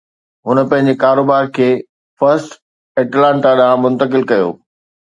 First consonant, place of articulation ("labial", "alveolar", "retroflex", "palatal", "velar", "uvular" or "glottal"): glottal